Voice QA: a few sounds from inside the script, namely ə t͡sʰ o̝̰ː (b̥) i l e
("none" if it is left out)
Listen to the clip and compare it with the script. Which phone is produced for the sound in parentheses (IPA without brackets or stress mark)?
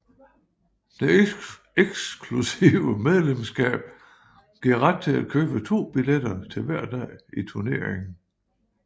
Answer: b̥